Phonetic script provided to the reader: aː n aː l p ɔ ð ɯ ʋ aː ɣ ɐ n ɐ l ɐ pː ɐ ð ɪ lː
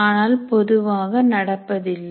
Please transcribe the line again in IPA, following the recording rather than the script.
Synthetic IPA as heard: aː n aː l p ɔ ð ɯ ʋ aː ɣ ɐ n ɐ ɽ ɐ pː ɐ ð ɪ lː